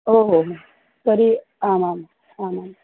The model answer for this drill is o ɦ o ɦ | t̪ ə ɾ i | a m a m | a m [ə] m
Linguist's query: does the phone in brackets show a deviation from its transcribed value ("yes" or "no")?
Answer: yes